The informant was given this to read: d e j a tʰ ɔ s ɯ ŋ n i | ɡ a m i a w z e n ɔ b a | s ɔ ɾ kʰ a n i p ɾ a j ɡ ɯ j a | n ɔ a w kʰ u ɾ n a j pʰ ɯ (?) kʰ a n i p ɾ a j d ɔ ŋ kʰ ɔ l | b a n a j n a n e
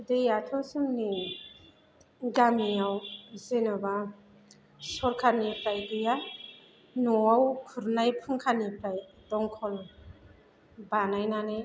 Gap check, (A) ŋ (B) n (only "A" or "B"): A